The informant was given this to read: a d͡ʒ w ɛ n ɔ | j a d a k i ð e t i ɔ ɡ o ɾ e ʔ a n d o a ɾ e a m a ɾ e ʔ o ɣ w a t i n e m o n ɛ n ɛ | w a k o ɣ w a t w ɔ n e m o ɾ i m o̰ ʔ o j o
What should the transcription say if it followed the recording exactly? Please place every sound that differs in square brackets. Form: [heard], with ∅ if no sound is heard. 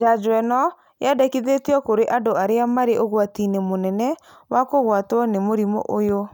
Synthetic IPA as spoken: a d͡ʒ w ɛ n ɔ | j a d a k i ð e t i ɔ [k] o ɾ e ʔ a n d o a ɾ e a m a ɾ e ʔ o ɣ w a t i n e m o n ɛ n ɛ | w a k o ɣ w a t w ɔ n e m o ɾ i m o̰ ʔ o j o